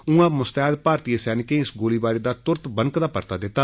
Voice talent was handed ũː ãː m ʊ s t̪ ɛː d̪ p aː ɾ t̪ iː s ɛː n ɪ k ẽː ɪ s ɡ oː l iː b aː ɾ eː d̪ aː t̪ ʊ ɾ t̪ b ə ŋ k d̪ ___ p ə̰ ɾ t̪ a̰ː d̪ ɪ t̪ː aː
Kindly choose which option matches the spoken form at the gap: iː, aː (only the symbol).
aː